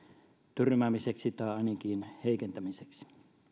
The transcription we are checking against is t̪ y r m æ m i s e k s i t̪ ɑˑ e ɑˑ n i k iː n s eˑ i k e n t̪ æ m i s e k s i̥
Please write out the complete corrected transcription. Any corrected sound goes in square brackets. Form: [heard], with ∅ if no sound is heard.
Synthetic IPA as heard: t̪ y r m æ m i s e k s i t̪ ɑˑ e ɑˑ n i k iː n [h] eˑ i k e n t̪ æ m i s e k s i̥